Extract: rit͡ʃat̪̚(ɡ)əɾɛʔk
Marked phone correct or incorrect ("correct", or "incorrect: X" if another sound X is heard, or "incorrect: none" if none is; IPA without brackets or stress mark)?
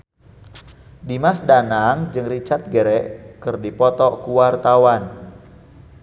correct